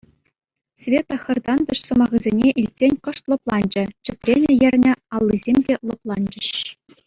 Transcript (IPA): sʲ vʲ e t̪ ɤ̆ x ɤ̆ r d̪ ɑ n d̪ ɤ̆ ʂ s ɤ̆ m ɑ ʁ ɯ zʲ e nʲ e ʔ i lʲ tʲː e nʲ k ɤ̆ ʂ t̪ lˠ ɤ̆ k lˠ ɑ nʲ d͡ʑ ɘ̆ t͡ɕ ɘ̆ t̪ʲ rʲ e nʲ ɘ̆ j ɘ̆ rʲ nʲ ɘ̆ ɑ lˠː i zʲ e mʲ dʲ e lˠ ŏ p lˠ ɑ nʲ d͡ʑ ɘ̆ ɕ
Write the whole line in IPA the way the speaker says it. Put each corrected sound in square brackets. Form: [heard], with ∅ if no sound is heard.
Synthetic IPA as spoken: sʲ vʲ e t̪ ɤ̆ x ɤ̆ r d̪ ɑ n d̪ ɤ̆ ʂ s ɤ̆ m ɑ ʁ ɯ zʲ e nʲ e ʔ i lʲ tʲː e nʲ k ɤ̆ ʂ t̪ lˠ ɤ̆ [p] lˠ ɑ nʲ d͡ʑ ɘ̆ t͡ɕ ɘ̆ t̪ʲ rʲ e nʲ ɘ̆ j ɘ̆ rʲ nʲ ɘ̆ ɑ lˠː i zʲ e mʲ dʲ e lˠ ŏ p lˠ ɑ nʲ d͡ʑ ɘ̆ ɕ